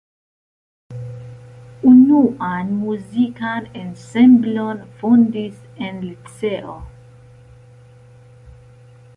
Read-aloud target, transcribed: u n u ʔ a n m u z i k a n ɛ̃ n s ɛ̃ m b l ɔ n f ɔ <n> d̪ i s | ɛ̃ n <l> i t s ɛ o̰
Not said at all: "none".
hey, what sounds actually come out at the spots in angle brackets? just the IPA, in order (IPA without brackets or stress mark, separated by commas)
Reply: n, l